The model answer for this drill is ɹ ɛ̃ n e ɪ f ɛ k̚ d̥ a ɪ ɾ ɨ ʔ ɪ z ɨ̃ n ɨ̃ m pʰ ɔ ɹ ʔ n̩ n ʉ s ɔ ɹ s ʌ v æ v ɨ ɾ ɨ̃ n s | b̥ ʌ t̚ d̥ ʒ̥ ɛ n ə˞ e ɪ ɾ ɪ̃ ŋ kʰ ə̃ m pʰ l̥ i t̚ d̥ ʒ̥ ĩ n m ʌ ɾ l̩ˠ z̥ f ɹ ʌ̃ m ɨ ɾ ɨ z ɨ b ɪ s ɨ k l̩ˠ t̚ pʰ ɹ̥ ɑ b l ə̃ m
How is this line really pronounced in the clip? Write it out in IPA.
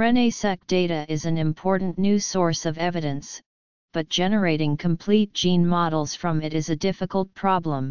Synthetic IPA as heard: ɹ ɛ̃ n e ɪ s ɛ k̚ d̥ e ɪ ɾ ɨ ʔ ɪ z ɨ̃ n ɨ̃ m pʰ ɔ ɹ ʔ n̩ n ʉ s ɔ ɹ s ʌ v ɛ v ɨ ɾ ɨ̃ n s | b̥ ʌ t̚ d̥ ʒ̥ ɛ n ə˞ e ɪ ɾ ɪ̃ ŋ kʰ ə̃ m pʰ l̥ i t̚ d̥ ʒ̥ ĩ n m ɑ ɾ l̩ˠ z̥ f ɹ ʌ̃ m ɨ ɾ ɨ z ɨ d ɪ f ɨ k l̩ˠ t̚ pʰ ɹ̥ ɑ b l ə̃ m